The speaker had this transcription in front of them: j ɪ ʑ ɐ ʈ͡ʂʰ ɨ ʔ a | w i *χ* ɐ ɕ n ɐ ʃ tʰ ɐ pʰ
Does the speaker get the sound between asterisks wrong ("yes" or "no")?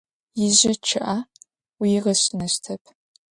yes